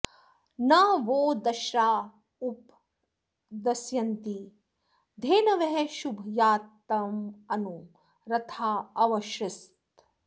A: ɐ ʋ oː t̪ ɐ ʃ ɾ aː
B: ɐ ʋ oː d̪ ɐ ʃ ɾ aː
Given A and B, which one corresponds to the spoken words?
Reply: B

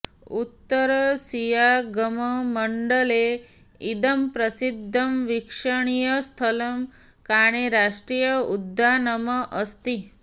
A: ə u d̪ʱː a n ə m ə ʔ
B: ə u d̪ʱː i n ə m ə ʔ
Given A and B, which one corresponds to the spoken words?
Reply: A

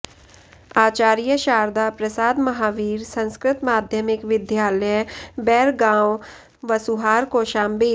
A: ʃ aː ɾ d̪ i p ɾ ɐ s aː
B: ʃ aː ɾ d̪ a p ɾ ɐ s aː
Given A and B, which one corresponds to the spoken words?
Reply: B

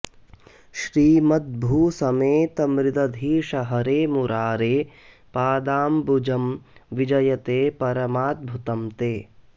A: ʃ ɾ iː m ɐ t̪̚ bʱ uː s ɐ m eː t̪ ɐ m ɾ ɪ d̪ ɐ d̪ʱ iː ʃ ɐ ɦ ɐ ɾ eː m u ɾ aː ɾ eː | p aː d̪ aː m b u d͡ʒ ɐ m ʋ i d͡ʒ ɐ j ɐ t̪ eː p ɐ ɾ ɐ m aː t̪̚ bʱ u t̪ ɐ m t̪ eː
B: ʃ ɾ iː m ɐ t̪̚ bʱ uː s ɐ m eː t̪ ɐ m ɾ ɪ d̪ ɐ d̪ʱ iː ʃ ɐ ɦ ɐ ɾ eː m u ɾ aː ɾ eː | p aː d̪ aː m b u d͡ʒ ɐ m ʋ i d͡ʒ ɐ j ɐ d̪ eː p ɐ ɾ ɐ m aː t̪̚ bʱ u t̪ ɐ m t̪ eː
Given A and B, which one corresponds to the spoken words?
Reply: A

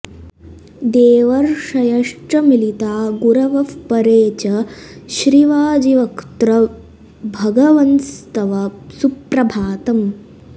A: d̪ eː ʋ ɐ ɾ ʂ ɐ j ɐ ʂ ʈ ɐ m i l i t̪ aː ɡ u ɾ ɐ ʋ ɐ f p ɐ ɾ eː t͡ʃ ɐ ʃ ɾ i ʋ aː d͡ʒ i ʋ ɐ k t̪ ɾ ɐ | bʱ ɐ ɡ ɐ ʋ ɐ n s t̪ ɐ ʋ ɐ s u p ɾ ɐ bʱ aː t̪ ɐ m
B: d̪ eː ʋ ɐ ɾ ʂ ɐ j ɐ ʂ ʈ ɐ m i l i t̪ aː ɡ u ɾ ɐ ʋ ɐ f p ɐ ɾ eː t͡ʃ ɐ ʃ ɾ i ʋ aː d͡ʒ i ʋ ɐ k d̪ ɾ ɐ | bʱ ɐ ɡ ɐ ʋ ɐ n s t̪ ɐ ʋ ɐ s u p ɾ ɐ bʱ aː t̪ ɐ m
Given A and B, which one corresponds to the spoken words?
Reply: A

